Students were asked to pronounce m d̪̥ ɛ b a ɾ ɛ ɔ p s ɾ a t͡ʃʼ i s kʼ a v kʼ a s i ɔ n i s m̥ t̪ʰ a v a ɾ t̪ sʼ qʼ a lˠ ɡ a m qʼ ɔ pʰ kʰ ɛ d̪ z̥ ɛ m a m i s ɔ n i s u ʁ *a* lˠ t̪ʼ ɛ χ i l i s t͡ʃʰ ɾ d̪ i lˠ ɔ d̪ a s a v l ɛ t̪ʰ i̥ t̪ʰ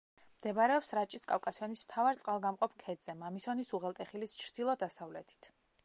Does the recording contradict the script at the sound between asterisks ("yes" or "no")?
yes